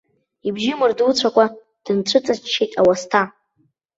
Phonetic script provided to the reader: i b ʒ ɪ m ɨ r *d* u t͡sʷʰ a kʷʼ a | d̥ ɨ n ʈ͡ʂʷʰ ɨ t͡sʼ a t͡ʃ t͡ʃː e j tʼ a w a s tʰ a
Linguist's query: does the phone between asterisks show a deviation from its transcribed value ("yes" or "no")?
no